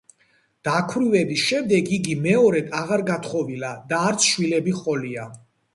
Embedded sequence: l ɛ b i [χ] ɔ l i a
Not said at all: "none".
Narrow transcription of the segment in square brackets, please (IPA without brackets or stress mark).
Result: χ